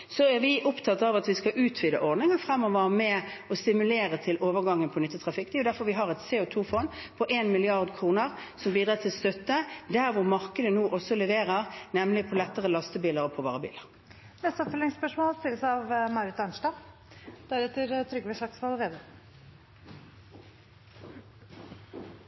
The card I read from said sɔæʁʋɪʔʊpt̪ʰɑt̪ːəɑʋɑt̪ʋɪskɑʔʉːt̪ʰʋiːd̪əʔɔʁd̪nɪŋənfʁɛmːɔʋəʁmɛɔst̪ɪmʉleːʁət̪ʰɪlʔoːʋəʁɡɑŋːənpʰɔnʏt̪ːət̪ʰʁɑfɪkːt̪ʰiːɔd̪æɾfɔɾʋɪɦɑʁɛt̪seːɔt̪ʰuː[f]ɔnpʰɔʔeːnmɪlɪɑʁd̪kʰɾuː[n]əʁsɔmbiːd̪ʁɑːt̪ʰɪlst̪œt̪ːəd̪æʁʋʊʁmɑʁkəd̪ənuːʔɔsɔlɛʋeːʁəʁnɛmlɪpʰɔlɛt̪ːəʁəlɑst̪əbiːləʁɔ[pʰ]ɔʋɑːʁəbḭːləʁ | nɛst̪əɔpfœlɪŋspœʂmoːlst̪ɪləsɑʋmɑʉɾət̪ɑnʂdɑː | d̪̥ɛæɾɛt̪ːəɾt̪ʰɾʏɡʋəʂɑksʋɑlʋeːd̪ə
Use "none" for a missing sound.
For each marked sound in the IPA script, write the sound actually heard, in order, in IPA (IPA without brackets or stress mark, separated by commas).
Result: f, n, pʰ